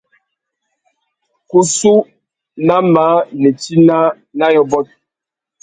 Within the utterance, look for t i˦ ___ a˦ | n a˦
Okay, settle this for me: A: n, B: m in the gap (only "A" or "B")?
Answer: A